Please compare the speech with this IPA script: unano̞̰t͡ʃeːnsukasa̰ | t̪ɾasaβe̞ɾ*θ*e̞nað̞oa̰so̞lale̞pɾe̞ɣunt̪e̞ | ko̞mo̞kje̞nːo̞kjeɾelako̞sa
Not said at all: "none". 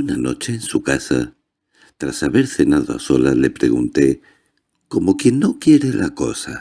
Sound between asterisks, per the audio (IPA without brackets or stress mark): θ